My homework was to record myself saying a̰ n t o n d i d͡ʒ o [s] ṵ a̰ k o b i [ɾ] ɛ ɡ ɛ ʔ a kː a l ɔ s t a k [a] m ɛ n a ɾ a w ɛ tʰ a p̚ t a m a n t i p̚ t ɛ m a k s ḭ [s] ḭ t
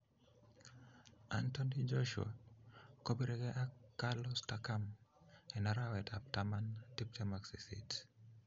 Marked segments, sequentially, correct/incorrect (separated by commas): incorrect, correct, correct, correct